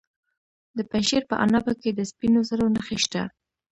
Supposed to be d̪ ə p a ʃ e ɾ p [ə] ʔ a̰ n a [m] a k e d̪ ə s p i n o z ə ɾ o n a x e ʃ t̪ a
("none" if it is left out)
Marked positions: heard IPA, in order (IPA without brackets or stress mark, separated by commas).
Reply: ə, b